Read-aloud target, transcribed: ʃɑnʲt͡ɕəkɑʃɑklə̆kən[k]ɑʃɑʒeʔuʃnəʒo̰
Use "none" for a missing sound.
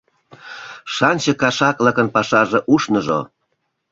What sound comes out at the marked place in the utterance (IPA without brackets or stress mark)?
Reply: p